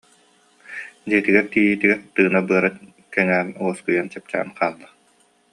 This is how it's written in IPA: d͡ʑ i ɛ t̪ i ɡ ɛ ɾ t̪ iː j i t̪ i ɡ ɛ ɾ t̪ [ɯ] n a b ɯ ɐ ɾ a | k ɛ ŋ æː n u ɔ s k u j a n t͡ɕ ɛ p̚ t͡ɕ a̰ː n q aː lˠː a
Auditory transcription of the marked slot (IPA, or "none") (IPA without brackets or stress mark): ɯː